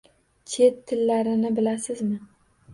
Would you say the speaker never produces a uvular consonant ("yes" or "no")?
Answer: yes